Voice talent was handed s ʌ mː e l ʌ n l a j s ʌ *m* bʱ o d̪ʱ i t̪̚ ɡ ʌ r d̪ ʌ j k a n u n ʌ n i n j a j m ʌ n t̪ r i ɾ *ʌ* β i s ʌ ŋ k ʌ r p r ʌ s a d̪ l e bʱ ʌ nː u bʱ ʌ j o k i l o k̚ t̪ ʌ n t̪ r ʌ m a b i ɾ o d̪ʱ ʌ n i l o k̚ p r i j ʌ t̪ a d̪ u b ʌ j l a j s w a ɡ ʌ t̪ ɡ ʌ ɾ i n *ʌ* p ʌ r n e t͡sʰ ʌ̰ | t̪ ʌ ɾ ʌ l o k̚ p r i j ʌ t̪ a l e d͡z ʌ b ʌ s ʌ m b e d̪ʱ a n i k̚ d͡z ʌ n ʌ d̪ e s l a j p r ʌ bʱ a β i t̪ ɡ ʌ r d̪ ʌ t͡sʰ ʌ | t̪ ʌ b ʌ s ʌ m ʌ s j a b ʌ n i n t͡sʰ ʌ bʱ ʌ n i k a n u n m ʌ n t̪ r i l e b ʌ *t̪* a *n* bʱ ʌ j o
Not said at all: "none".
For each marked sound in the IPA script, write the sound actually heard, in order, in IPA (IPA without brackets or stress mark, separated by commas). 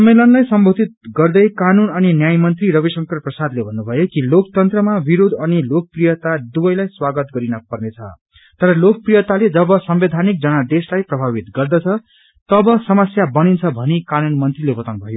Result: m, ʌ, ʌ, t̪, n